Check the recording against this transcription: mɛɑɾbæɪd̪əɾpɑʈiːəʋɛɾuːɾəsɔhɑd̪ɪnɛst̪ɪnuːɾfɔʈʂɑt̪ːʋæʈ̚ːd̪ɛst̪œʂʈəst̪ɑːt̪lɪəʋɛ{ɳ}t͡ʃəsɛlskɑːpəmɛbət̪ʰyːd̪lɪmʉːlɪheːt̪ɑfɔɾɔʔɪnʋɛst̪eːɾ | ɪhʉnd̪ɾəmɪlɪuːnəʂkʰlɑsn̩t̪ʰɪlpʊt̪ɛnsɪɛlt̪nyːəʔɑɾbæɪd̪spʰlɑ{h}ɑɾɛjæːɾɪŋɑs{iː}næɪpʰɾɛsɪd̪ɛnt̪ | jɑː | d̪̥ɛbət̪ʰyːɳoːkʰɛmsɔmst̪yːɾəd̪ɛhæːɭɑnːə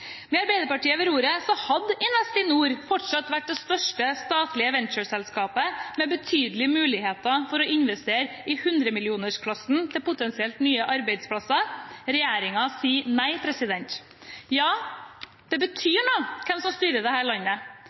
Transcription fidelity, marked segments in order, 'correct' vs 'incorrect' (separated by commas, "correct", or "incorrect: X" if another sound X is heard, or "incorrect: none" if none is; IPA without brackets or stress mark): incorrect: n, incorrect: s, correct